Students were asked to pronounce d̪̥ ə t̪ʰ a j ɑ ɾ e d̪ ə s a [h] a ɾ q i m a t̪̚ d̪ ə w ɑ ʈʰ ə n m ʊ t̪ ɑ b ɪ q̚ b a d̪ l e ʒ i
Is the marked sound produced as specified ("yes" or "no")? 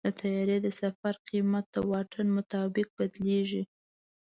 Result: no